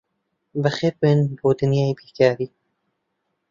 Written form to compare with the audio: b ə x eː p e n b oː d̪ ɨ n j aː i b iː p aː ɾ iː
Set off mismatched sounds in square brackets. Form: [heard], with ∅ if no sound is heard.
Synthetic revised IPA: b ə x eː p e n b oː d̪ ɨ n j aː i b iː [k] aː ɾ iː